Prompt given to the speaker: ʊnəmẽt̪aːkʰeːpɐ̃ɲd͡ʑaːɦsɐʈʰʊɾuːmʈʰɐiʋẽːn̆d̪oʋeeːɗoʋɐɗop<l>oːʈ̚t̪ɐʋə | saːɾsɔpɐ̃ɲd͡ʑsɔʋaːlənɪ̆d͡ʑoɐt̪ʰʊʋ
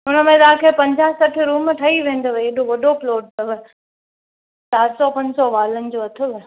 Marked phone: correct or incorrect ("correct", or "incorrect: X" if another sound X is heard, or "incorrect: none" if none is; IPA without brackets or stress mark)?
correct